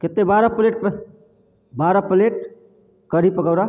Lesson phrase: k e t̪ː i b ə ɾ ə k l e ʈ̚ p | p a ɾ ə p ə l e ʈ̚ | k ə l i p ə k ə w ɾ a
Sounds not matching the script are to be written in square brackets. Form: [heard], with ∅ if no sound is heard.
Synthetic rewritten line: k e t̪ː [e] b [a] ɾ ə [p] l e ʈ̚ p | [b] a ɾ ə p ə l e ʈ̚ | k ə [ɾ] i p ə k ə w ɾ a